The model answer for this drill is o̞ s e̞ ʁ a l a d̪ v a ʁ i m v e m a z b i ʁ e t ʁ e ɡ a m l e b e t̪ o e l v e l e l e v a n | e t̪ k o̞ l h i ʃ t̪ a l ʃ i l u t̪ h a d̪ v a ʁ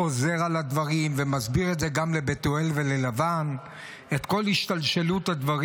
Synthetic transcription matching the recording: o̞ z e̞ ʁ a l a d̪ v a ʁ i m v e m a z b i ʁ e t z e ɡ a m l e b e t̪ o e l v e l e l a v a n | e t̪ k o̞ l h i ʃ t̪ a l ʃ e l u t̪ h a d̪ v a ʁ